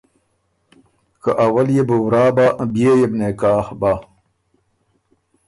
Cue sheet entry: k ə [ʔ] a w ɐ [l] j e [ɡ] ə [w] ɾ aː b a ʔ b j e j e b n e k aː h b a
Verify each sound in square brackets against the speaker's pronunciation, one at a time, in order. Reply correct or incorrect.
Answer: correct, correct, incorrect: b, correct

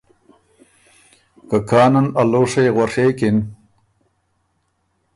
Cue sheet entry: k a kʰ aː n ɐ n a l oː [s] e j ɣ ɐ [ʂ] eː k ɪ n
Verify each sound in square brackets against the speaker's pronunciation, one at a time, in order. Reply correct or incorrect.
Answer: incorrect: ʂ, correct

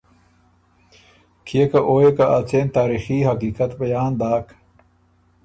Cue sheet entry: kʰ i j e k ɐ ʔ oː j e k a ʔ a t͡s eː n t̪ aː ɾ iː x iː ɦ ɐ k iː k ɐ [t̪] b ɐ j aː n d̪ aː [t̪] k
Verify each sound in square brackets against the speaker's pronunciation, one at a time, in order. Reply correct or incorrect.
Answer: correct, incorrect: none

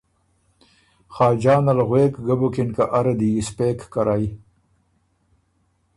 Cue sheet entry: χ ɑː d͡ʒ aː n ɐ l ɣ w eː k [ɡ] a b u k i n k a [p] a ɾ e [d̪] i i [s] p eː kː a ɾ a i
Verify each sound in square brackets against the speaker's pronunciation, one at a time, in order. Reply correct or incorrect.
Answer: correct, incorrect: ʔ, correct, correct

